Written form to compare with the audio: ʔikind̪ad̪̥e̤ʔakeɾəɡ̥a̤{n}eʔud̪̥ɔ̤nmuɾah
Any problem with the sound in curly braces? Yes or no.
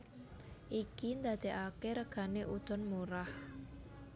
no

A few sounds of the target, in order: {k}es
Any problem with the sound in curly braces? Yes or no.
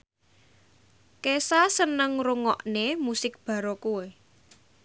no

